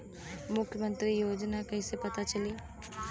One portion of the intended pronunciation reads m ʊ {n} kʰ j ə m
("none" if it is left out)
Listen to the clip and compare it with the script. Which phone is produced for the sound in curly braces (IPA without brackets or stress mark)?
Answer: none